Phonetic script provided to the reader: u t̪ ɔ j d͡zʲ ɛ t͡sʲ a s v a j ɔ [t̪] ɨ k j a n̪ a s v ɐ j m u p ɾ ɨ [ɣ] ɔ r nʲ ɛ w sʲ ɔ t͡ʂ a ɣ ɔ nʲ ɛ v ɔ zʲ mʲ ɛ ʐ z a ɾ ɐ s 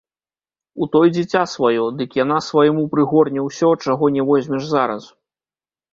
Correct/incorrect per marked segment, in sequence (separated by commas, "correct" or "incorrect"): incorrect, correct